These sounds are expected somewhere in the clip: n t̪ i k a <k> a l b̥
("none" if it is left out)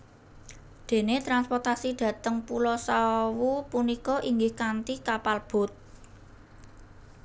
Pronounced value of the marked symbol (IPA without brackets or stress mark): p